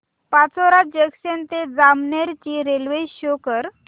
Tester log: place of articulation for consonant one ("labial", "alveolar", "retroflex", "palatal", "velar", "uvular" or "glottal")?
labial